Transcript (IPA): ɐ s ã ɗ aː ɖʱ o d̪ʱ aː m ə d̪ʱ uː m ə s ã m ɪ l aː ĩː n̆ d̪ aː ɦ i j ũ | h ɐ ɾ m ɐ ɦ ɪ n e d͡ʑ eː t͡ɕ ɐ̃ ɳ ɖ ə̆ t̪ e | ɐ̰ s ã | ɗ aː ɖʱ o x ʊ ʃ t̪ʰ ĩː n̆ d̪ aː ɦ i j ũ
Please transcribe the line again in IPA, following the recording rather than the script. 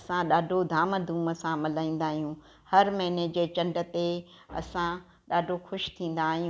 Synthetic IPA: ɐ s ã ɗ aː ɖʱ o d̪ʱ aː m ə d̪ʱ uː m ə s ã m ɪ l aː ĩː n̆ d̪ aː ɦ i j ũ | h ɐ ɾ m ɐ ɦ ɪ n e d͡ʑ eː t͡ɕ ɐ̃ ɳ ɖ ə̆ t̪ e | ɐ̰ s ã | ɗ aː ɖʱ o x ʊ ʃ t̪ʰ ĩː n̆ d̪ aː ɦ i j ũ

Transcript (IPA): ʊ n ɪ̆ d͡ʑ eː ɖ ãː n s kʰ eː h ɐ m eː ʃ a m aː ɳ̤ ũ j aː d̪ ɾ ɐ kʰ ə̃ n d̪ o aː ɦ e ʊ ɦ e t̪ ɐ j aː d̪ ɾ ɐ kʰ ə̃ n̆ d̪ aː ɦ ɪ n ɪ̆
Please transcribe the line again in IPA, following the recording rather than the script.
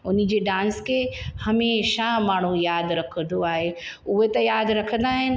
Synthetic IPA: ʊ n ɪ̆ d͡ʑ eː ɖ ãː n s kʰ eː h ɐ m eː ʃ a m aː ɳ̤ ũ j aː d̪ ɾ ɐ kʰ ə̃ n d̪ o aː ɦ e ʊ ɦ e t̪ ɐ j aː d̪ ɾ ɐ kʰ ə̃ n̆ d̪ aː ɦ ɪ n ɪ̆

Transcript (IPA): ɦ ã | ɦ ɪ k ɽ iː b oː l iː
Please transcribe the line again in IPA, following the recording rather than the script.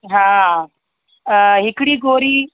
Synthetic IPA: ɦ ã | ɦ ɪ k ɽ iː ɡ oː ɾ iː

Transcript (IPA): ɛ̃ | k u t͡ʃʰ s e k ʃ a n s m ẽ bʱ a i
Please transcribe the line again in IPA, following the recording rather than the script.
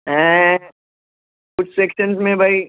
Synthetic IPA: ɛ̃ | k ʊ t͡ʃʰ s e k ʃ ə n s m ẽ bʱ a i

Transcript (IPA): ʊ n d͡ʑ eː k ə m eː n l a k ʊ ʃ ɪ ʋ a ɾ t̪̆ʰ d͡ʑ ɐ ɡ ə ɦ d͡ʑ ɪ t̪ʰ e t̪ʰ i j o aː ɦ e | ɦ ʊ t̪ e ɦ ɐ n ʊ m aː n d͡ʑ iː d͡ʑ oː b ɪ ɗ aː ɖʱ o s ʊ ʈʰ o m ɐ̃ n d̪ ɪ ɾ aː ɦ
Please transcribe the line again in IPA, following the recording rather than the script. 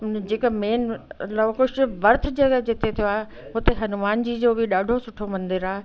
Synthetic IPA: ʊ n d͡ʑ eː k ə m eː n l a k ʊ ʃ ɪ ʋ ɐ ɾ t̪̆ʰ d͡ʑ ɐ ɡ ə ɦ d͡ʑ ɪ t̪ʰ e t̪ʰ i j o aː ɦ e | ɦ ʊ t̪ e ɦ ɐ n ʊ m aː n d͡ʑ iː d͡ʑ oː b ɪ ɗ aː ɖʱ o s ʊ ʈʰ o m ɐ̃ n d̪ ɪ ɾ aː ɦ

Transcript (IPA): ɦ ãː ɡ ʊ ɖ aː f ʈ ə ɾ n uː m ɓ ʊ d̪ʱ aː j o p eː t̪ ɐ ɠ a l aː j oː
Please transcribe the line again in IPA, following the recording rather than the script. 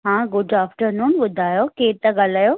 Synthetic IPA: ɦ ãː ɡ ʊ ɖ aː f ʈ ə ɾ n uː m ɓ ʊ d̪ʱ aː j o k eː t̪ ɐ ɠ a l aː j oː

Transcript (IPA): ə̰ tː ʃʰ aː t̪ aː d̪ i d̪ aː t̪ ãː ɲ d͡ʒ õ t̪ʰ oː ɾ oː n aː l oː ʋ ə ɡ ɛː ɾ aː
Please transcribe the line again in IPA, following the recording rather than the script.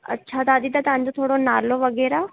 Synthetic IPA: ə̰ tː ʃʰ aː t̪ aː d̪ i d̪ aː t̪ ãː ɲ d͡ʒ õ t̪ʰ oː ɽ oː n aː l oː ʋ ə ɡ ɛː ɾ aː

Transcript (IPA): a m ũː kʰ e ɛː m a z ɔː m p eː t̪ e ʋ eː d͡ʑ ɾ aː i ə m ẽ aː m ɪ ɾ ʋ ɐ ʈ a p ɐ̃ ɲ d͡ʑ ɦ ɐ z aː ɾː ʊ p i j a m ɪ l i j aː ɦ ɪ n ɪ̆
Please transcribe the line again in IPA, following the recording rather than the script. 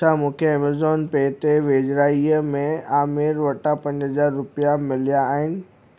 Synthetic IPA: a m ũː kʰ e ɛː m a z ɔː n p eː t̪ e ʋ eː d͡ʑ ɾ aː i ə m ẽ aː m ɪ ɾ ʋ ɐ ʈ a p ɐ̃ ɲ d͡ʑ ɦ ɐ z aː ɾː ʊ p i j a m ɪ l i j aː ɦ ɪ n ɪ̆

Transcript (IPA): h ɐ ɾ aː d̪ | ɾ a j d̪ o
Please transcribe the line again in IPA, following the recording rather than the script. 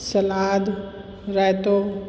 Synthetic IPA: s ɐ l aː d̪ | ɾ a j t̪ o

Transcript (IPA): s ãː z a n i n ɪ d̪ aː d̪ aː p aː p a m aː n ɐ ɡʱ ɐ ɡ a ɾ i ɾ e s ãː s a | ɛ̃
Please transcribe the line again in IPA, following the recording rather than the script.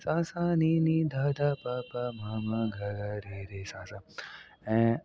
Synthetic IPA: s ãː s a n i n i d̪ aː d̪ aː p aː p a m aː m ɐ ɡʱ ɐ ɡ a ɾ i ɾ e s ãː s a | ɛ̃

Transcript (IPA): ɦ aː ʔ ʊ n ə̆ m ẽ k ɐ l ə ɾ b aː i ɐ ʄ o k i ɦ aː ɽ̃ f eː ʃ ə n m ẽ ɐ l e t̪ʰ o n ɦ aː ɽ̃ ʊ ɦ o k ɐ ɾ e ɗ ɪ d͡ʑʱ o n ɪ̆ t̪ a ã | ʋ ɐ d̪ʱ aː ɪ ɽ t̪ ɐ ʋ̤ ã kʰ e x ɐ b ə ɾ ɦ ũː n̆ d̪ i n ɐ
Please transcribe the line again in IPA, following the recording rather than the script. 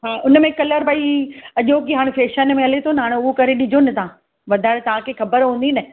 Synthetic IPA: ɦ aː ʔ ʊ n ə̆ m ẽ k ɐ l ə ɾ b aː i ɐ ʄ o k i ɦ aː ɽ̃ f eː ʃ ə n m ẽ ɐ l e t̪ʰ o n ɦ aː ɽ̃ ʊ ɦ o k ɐ ɾ e ɗ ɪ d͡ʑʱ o n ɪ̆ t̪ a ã | ʋ ɐ d̪ʱ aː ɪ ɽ t̪ ɐ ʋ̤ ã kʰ e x ɐ b ə ɾ ɦ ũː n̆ d̪ i n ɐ

